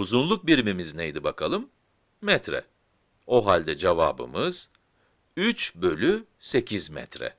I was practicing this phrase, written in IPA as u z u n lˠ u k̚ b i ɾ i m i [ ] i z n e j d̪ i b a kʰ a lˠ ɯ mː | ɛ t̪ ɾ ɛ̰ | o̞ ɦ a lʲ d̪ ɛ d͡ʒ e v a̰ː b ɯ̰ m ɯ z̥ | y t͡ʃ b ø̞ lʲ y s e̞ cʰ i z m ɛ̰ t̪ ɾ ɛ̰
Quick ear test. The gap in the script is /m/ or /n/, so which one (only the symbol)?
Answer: m